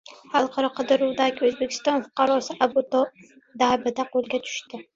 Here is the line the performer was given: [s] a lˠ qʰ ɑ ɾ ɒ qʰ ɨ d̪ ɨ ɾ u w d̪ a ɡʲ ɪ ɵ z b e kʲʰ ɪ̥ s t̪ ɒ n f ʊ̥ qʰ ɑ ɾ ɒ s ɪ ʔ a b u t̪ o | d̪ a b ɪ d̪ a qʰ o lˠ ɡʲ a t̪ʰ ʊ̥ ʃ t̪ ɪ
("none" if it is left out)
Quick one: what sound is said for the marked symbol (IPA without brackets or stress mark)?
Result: h